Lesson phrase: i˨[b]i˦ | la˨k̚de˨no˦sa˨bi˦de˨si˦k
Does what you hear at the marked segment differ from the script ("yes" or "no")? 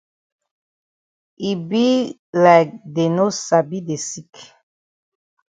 no